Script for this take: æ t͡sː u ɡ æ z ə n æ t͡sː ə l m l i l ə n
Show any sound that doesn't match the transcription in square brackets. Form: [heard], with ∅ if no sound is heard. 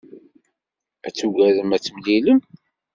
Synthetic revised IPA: æ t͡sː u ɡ æ [ð] ə [m] æ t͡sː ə [∅] m l i l ə [m]